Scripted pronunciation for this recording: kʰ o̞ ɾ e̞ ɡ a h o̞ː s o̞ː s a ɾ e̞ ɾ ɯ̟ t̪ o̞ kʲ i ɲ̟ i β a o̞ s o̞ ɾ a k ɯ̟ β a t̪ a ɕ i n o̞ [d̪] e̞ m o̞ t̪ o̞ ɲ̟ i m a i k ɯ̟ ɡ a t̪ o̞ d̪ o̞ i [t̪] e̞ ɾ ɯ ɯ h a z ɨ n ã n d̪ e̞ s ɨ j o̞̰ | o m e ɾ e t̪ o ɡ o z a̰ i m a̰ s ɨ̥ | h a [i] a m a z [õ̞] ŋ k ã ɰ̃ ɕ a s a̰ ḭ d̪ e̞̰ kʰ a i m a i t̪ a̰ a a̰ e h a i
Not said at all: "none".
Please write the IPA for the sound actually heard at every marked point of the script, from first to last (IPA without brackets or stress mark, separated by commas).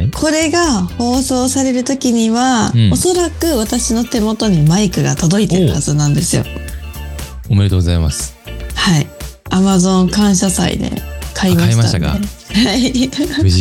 t̪, t̪, i, õ̞